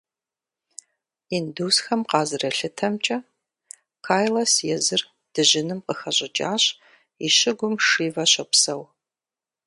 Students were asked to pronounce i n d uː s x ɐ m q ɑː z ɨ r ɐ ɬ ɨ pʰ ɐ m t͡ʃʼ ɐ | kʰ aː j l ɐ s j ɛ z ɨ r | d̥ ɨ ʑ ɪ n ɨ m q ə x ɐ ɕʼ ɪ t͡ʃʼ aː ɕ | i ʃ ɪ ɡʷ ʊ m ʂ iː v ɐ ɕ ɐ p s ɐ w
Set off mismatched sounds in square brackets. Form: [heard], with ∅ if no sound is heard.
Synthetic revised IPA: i n d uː s x ɐ m q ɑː z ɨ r ɐ ɬ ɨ [tʰ] ɐ m t͡ʃʼ ɐ | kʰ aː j l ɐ s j ɛ z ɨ r | d̥ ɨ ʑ ɪ n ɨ m q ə x ɐ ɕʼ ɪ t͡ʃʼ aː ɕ | i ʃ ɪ ɡʷ ʊ m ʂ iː v ɐ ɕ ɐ p s ɐ w